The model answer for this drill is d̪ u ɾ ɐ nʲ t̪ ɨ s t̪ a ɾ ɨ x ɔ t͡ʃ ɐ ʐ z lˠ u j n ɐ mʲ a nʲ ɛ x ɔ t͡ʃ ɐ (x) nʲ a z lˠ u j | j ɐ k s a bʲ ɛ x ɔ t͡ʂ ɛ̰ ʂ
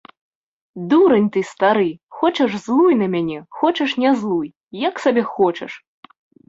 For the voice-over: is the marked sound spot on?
no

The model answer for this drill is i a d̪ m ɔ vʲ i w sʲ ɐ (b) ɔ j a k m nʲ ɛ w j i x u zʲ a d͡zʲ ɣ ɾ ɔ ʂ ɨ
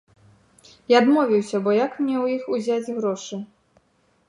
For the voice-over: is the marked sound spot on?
yes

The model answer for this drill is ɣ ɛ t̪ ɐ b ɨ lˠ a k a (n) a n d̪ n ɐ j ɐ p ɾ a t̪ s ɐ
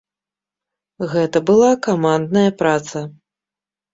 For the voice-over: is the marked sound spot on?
no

